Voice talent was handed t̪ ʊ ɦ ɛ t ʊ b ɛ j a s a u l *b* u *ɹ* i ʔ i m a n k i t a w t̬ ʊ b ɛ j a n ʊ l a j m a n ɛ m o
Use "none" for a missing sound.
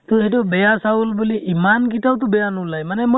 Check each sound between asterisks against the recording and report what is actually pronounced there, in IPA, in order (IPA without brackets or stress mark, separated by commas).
b, l